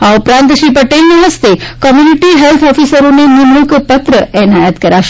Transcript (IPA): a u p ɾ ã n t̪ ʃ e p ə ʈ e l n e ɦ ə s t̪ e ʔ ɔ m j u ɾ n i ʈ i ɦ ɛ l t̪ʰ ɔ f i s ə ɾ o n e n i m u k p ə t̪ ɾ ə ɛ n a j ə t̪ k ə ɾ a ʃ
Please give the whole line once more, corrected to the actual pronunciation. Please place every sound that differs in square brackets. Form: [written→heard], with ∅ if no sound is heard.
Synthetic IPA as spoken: a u p ɾ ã n t̪ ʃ [e→i] p ə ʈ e l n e ɦ ə s t̪ e [ʔ→k] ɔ m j u [ɾ→∅] n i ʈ i ɦ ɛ l t̪ʰ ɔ f i s ə ɾ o n e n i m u k p ə t̪ ɾ ə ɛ n a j ə t̪ k ə ɾ a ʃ